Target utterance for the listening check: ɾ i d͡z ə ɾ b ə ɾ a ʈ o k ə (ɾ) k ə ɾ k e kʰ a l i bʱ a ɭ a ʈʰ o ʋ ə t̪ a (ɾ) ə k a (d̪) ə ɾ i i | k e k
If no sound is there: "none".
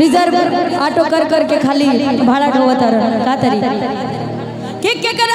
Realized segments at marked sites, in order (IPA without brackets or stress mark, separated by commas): ɾ, ɾ, t̪